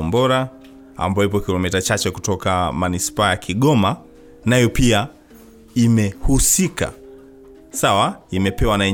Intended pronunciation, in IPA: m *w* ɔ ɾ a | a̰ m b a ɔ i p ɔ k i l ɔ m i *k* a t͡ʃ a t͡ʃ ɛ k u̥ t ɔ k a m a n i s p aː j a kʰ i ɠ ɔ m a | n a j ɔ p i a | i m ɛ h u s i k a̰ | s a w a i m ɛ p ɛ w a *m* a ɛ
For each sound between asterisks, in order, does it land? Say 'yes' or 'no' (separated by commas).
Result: no, no, no